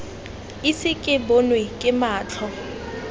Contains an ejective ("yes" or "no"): yes